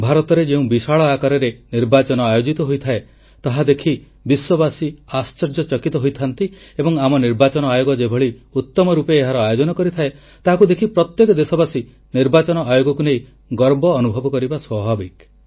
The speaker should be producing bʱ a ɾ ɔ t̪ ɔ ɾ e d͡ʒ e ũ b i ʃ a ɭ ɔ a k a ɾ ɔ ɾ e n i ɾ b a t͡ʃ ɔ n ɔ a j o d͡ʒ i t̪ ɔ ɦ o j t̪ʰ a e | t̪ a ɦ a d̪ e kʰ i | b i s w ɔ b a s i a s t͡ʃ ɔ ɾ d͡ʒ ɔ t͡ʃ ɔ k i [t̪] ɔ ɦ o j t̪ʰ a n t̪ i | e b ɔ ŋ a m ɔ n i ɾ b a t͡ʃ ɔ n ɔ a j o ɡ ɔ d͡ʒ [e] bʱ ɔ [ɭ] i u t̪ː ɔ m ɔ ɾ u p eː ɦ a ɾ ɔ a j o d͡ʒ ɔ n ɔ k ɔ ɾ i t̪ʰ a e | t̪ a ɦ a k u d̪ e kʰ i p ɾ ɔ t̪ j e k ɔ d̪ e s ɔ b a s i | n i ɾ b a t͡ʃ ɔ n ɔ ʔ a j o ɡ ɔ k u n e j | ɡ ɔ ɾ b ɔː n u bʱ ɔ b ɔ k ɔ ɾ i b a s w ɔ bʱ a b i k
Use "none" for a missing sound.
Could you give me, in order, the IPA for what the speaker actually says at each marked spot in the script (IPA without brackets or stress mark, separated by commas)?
t̪, e, ɭ